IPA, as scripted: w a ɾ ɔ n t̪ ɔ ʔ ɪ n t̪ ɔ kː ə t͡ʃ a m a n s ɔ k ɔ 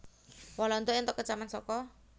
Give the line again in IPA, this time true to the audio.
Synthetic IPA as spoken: w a l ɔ n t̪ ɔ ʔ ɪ n t̪ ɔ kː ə t͡ʃ a m a n s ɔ k ɔ